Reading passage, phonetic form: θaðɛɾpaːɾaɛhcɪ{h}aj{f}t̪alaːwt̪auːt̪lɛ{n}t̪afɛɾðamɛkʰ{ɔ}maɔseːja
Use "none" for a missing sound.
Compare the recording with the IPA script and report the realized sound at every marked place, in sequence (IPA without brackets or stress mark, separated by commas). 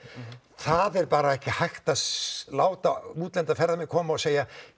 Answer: h, x, n, ɔː